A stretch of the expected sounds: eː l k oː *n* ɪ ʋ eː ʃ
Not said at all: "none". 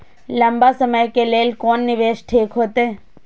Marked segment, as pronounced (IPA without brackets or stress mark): nː